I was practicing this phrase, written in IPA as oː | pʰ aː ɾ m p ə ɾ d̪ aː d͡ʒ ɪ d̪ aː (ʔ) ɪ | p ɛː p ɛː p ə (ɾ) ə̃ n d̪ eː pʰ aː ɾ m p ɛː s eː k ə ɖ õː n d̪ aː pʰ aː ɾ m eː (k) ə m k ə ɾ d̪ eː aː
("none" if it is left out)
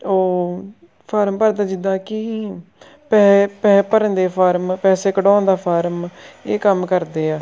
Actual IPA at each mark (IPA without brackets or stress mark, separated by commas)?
k, ɾ, k